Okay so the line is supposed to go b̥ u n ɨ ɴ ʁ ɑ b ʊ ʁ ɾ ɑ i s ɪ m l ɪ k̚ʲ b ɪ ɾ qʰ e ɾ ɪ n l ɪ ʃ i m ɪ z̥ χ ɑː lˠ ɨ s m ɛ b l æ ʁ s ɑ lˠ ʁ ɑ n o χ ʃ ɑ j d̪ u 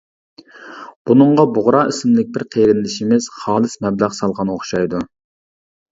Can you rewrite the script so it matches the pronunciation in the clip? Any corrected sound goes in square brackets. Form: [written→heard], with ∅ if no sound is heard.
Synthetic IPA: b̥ u n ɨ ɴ ʁ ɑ b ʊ ʁ ɾ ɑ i s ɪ m l ɪ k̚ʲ b ɪ ɾ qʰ e ɾ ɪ n l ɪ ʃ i m ɪ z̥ χ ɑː lˠ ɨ s m ɛ b l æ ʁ s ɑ lˠ ʁ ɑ n o χ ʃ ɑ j d̪ u